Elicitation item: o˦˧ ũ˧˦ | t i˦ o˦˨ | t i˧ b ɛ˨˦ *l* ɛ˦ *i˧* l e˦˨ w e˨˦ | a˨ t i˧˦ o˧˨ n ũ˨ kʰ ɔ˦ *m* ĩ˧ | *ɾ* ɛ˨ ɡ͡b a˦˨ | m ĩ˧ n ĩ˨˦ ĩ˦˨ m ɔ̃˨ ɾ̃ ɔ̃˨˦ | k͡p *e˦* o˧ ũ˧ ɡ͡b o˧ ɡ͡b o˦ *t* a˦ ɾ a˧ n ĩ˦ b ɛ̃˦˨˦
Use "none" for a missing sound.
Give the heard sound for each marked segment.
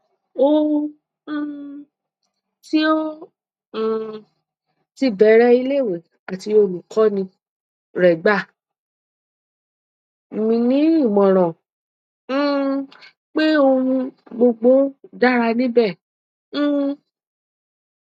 ɾ, i˧, n, ɾ, e˦, d

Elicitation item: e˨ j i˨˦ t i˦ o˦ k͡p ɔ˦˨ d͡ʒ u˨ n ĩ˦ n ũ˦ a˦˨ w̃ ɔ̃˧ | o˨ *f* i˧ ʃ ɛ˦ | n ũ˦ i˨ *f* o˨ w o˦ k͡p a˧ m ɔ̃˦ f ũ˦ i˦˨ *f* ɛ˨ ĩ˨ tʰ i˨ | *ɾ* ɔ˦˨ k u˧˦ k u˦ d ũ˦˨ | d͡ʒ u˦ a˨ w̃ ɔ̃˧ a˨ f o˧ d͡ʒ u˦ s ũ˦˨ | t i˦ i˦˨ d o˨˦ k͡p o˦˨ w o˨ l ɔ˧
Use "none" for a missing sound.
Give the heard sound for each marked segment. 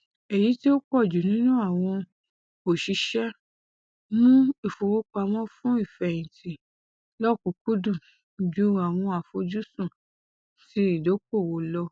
ʃ, f, f, l

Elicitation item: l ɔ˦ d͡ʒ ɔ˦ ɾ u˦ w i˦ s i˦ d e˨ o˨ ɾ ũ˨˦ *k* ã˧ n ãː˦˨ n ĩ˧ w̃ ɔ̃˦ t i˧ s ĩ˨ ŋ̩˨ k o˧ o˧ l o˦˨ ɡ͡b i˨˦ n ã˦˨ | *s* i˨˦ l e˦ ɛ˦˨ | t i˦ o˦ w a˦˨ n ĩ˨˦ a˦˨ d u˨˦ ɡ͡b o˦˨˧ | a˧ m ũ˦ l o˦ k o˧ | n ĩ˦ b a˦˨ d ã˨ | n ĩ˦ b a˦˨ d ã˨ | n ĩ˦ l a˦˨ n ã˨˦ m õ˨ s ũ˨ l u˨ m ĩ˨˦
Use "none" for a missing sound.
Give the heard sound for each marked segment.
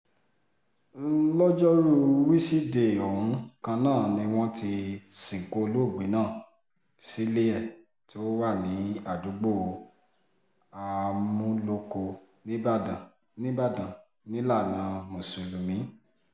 k, s

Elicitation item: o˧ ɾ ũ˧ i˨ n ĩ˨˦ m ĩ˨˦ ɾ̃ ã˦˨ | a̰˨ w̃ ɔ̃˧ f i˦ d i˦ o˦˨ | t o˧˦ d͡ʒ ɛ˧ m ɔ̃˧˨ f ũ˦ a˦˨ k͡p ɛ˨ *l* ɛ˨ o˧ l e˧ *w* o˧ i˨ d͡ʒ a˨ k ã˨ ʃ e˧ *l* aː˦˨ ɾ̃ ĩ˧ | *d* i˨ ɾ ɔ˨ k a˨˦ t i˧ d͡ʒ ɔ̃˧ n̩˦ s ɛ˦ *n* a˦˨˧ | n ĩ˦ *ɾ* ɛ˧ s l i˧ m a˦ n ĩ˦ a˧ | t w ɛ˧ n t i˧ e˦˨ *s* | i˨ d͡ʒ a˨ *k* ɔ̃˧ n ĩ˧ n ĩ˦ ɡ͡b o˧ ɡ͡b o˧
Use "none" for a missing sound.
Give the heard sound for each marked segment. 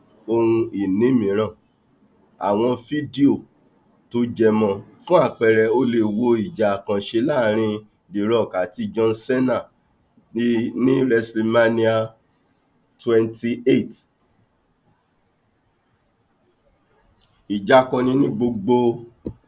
ɾ, w, l, d, n, ɾ, t, k

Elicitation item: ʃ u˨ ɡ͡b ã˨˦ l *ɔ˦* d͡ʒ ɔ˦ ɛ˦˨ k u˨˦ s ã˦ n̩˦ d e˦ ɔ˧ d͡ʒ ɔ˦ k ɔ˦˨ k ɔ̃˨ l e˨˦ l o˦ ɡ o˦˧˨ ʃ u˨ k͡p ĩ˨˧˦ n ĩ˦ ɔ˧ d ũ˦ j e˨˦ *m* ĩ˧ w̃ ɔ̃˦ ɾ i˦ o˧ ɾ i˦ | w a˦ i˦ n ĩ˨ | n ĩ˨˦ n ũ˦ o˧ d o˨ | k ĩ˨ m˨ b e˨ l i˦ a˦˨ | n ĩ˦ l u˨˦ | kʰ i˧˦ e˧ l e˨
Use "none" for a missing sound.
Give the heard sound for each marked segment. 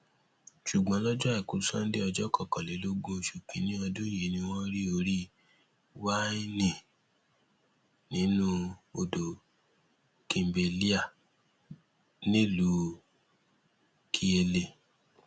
ɔ˦, n

